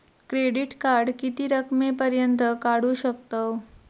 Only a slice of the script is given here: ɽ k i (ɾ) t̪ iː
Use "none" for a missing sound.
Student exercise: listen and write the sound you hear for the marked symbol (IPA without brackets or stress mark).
none